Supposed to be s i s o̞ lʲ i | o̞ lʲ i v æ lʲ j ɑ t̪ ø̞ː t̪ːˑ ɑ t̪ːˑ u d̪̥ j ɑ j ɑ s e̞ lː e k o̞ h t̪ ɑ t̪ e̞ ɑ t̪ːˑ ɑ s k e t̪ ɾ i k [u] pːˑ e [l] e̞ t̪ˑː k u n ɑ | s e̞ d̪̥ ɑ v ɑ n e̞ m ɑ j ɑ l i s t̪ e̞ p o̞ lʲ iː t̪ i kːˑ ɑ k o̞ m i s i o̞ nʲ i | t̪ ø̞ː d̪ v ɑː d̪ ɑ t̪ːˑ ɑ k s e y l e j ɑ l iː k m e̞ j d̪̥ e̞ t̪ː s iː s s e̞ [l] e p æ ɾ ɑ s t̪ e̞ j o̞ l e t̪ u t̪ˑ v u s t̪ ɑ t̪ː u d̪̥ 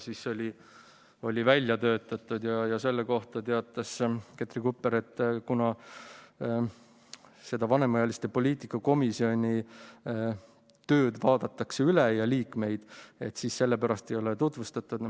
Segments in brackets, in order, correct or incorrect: correct, incorrect, incorrect

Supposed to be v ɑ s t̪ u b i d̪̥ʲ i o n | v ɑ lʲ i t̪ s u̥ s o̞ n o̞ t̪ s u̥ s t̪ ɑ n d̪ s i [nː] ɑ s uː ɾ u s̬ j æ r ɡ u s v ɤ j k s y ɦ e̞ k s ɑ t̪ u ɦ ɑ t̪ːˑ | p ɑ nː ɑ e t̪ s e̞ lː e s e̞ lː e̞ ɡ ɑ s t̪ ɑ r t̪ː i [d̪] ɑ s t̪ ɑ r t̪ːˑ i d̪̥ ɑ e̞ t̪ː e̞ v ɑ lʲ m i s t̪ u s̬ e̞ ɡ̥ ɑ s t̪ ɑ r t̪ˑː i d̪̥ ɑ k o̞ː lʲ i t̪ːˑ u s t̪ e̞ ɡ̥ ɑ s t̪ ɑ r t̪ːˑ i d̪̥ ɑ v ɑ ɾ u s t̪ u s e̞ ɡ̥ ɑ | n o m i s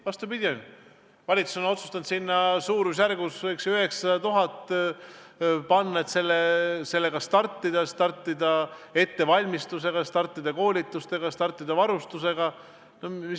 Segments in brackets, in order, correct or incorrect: correct, correct

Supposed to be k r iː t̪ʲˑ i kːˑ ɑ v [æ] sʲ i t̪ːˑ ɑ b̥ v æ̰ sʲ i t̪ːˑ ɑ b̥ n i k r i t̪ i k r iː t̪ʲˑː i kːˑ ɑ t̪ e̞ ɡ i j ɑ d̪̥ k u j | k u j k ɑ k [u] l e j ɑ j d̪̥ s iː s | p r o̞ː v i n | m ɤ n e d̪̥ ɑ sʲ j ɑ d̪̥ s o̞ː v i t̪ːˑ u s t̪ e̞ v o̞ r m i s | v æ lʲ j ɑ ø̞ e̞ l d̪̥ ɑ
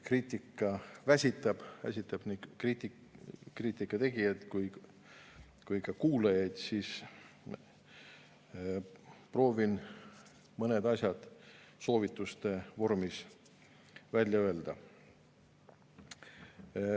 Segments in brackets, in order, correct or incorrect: correct, incorrect

